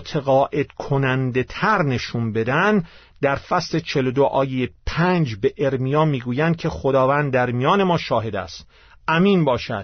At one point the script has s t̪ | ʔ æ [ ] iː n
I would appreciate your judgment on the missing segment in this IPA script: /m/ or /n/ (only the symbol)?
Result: m